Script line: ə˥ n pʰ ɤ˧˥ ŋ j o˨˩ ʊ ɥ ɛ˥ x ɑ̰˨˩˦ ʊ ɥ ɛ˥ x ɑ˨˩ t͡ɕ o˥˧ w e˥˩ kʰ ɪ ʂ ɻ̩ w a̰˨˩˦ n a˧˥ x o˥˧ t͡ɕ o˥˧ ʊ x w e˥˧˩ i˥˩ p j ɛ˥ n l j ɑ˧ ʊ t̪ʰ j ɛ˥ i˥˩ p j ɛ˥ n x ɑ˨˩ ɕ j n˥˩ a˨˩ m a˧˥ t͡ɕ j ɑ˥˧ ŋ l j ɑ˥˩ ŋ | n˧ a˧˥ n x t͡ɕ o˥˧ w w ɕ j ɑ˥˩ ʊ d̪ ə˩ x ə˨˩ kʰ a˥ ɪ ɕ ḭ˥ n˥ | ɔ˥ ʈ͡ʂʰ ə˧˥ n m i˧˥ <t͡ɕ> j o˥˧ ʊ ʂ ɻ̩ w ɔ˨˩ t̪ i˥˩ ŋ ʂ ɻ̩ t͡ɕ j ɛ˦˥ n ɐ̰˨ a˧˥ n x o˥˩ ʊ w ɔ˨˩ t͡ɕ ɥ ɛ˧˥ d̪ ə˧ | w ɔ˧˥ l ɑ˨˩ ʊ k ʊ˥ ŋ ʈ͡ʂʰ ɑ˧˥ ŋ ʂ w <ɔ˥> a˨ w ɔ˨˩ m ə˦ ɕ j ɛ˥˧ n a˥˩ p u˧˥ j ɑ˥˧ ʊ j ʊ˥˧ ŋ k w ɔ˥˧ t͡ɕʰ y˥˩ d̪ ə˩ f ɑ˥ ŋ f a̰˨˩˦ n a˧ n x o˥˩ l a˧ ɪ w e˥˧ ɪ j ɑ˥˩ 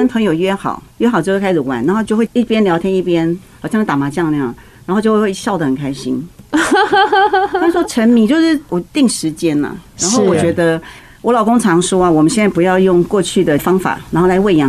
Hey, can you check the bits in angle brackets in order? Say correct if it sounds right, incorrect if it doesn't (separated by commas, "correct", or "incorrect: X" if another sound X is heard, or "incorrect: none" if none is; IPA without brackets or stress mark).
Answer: correct, correct